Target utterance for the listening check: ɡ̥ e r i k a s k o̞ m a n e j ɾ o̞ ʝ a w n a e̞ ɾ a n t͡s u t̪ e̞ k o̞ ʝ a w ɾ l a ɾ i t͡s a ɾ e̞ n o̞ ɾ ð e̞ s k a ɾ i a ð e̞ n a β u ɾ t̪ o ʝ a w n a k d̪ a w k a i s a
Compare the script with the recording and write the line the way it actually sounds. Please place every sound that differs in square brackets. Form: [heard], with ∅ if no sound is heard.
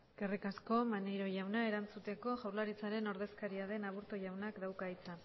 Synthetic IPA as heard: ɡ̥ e r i k a s k o̞ m a n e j ɾ o̞ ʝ a w n a e̞ ɾ a n t͡s u t̪ e̞ k o̞ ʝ a w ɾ l a ɾ i t͡s a ɾ e̞ n o̞ ɾ ð e̞ s k a ɾ i a ð e̞ n a β u ɾ t̪ o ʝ a w n a k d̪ a w k a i [t͡s] a